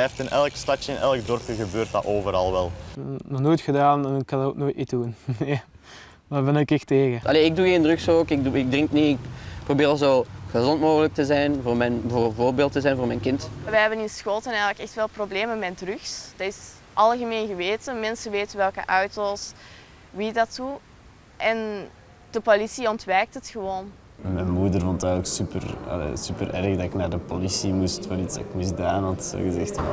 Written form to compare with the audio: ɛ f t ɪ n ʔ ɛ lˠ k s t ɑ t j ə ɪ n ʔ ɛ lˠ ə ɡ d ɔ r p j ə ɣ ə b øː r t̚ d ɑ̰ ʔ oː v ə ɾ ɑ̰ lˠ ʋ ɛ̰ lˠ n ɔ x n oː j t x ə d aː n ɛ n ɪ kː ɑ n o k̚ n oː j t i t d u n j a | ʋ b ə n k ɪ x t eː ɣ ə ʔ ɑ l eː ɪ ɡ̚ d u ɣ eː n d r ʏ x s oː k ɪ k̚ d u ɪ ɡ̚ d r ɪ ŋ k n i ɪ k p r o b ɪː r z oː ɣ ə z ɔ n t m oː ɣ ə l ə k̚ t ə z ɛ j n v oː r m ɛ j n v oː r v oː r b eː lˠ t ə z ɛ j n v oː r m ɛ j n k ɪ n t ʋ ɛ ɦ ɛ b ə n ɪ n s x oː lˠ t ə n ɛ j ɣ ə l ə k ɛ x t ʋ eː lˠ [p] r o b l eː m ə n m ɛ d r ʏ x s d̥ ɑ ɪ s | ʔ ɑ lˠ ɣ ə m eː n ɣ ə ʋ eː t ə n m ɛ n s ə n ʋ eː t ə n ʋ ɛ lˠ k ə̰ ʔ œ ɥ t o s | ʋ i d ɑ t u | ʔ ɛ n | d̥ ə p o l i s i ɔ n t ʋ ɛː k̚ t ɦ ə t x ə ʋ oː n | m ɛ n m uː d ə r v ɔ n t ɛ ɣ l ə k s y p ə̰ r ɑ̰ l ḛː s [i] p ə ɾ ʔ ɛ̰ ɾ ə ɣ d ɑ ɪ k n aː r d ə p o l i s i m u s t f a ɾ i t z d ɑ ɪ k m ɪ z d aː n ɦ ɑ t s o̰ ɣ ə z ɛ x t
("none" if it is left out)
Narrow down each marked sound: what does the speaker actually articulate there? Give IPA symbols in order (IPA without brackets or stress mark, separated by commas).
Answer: p, y